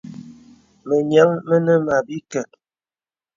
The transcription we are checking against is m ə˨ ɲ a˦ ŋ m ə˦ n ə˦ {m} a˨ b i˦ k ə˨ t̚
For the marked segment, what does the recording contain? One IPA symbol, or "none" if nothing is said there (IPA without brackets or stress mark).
m